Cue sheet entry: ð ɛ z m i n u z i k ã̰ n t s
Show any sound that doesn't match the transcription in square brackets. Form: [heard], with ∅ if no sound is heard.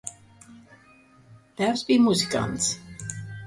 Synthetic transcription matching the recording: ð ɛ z [b] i [m] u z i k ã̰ n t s